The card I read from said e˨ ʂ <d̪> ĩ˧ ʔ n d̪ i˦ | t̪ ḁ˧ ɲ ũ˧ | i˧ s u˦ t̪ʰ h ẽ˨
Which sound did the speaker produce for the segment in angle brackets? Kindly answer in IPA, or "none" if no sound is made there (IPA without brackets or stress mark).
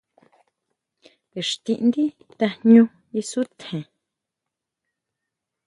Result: t̪